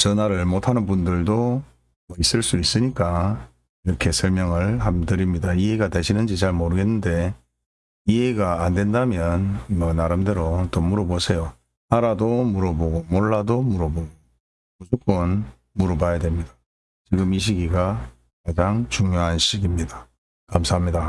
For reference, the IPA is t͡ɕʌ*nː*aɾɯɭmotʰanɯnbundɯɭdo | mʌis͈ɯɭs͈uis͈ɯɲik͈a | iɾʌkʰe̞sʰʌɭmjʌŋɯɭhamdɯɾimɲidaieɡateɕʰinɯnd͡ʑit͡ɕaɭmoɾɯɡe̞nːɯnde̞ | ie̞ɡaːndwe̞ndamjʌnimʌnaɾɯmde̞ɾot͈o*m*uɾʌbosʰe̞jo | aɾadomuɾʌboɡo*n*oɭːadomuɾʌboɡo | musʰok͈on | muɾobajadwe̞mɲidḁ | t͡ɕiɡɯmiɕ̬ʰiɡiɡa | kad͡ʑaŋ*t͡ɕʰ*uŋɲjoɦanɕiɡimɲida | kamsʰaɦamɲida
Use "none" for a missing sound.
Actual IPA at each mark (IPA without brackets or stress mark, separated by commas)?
n, m, m, t͡ɕ